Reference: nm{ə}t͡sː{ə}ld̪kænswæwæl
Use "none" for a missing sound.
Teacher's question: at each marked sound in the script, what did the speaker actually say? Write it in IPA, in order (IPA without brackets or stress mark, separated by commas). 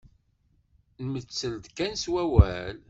ə, ə